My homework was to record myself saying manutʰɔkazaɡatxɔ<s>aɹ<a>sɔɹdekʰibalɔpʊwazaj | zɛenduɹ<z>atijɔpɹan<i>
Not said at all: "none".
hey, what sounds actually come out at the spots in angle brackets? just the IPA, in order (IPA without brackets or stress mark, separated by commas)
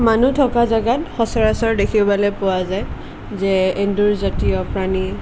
s, a, z, i